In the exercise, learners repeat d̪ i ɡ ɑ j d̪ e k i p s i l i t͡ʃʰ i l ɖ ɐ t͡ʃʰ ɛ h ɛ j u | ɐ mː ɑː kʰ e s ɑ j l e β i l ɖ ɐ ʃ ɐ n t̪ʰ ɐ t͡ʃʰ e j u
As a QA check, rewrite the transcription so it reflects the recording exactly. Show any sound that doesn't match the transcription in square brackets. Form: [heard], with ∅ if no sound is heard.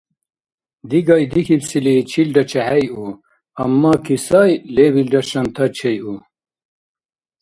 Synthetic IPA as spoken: d̪ i ɡ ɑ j d̪ [i] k i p s i l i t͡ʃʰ i l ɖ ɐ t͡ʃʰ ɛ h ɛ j u | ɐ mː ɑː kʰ [i] s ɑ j l e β i l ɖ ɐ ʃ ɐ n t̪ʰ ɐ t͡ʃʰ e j u